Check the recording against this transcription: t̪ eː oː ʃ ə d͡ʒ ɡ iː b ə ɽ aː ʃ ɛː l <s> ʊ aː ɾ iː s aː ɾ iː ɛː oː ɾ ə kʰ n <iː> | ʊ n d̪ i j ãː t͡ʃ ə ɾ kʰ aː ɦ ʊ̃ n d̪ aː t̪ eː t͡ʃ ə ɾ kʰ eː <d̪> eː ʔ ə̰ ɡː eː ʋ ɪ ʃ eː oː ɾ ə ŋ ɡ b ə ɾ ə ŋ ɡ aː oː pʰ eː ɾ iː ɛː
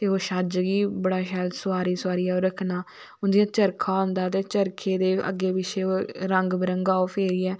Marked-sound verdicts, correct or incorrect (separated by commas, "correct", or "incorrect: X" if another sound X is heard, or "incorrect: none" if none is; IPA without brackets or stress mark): correct, incorrect: aː, correct